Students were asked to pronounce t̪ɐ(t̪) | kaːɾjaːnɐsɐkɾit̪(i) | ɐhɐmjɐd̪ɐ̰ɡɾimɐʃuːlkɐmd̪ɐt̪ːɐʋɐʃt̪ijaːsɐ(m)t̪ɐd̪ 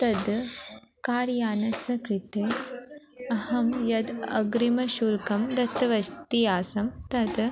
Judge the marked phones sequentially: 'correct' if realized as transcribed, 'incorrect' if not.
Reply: incorrect, incorrect, correct

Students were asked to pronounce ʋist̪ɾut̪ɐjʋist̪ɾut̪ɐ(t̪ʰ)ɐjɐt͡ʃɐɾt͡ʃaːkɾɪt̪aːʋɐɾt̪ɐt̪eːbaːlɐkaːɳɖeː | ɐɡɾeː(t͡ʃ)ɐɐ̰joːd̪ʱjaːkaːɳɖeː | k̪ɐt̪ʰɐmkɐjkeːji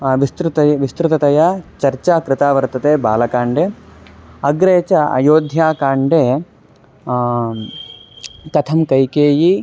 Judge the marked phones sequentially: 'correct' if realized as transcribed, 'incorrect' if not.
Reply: incorrect, correct

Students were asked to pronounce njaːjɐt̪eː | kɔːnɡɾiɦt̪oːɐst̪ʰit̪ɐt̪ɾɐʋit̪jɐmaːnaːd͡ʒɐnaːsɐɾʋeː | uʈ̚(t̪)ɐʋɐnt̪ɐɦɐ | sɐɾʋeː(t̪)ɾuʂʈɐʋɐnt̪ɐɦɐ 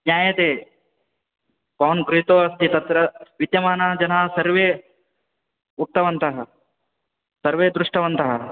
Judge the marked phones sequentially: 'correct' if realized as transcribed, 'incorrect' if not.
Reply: correct, incorrect

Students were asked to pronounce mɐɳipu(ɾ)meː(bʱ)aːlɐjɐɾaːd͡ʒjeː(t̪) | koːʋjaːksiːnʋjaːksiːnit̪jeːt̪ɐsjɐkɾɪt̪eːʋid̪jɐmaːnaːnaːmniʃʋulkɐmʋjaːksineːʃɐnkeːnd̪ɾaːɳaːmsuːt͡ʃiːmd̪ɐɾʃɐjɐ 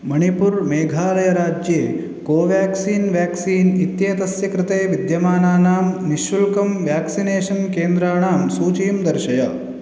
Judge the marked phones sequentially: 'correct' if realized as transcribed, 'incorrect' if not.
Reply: correct, incorrect, incorrect

